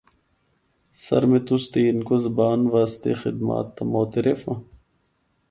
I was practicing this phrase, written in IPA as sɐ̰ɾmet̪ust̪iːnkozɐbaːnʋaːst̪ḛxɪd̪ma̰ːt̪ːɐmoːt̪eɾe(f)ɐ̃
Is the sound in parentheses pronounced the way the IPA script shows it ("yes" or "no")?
yes